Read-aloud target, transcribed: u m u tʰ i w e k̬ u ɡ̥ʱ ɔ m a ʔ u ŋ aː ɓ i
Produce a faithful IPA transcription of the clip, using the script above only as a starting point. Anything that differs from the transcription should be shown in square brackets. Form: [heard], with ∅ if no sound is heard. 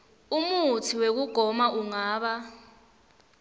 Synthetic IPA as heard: u m u tʰ i w e k̬ u ɡ̥ʱ ɔ m a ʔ u ŋ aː ɓ [a]